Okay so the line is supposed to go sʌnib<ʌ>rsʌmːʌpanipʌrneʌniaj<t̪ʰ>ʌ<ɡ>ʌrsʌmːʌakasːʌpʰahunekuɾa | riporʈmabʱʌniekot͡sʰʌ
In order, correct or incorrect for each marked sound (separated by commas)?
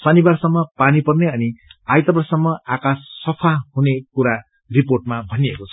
incorrect, incorrect, incorrect